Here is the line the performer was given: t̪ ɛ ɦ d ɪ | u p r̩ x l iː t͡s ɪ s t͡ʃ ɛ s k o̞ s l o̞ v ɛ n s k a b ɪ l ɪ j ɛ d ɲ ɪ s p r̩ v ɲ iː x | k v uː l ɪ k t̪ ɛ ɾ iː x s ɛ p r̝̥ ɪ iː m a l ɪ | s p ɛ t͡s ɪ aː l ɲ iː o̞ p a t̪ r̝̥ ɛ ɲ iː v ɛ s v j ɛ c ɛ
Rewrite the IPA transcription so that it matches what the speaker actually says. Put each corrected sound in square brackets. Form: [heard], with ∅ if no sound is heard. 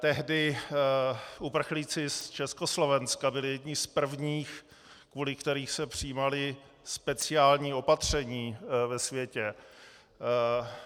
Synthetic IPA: t̪ ɛ ɦ d ɪ | u p r̩ x l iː t͡s ɪ s t͡ʃ ɛ s k o̞ s l o̞ v ɛ n s k a b ɪ l ɪ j ɛ d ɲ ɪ s p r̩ v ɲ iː x | k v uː l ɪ k t̪ ɛ ɾ iː x s ɛ p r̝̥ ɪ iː m a l ɪ | s p ɛ t͡s ɪ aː l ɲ iː o̞ p a t̪ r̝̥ ɛ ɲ iː v ɛ s v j ɛ c ɛ